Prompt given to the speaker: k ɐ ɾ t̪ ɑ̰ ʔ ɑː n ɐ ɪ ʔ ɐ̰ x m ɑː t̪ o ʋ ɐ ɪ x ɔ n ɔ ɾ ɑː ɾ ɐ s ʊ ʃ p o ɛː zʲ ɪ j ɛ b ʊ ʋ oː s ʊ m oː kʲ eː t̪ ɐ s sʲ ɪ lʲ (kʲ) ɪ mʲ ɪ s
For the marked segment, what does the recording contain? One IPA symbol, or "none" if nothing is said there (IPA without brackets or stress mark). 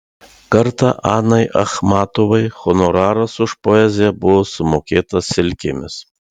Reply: kʲ